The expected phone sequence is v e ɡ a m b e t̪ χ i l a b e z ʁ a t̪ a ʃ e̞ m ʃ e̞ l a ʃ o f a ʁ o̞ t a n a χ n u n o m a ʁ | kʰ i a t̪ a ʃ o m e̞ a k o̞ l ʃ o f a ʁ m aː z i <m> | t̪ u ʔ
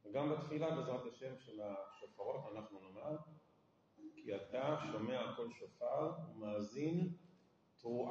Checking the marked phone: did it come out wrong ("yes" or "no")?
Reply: yes